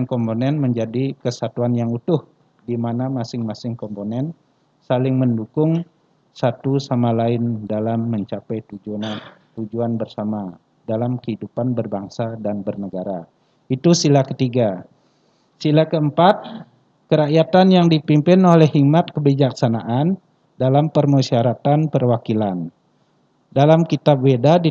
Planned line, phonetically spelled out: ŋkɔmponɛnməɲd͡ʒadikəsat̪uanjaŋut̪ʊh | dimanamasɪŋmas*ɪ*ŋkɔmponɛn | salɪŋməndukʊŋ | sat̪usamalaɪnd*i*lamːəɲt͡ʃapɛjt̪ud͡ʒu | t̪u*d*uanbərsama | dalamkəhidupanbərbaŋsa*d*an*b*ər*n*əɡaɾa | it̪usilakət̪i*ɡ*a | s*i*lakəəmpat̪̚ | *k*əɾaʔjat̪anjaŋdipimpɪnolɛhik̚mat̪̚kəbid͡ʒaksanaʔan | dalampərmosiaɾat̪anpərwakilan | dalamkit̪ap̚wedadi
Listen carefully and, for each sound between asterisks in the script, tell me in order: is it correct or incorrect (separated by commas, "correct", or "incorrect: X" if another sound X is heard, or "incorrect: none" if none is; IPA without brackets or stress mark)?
correct, incorrect: a, incorrect: d͡ʒ, correct, correct, correct, correct, correct, correct